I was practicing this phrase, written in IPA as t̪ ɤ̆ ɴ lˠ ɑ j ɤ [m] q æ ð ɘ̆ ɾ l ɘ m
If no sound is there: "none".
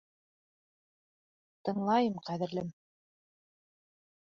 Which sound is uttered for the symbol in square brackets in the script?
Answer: m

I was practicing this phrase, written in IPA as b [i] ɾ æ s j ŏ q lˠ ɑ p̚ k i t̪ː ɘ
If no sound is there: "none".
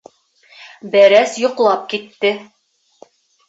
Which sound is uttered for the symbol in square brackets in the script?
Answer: æ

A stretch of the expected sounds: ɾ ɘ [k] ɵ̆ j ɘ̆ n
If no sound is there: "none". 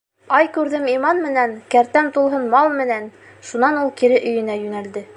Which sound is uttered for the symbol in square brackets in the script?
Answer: ʔ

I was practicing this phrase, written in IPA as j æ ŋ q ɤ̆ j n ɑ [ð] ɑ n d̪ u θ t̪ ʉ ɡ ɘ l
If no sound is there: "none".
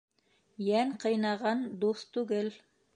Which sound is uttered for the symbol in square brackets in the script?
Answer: ʁ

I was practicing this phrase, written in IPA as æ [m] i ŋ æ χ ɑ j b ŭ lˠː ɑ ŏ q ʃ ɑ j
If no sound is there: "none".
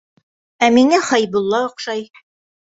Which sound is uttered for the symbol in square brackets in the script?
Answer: m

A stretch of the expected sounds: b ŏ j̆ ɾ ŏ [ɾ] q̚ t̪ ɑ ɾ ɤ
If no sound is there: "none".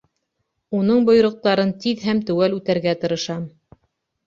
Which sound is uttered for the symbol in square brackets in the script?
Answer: none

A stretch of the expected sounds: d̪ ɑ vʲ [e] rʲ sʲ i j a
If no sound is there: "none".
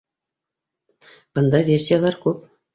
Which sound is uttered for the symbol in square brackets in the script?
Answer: e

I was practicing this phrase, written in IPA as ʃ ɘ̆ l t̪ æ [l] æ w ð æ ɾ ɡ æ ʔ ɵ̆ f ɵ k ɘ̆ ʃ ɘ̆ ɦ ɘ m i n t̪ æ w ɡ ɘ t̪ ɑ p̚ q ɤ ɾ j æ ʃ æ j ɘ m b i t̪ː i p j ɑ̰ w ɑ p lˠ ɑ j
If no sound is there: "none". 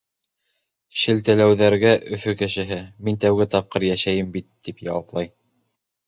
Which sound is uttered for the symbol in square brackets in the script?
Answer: l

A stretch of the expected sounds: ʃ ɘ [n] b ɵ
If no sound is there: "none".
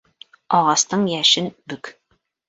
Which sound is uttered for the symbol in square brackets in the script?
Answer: n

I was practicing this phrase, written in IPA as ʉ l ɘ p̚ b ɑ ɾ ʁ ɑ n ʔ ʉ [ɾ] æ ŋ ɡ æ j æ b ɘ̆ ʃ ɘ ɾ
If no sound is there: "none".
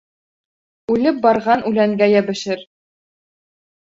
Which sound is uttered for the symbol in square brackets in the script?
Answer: l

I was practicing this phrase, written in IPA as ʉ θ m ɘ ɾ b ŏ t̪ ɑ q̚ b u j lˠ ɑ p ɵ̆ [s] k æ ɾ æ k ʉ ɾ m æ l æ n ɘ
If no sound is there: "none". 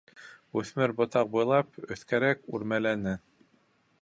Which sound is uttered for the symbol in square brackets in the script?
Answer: θ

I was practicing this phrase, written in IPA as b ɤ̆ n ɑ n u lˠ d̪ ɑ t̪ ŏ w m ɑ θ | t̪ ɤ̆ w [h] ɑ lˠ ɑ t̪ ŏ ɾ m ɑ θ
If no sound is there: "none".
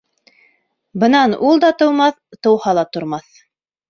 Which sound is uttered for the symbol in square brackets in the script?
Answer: h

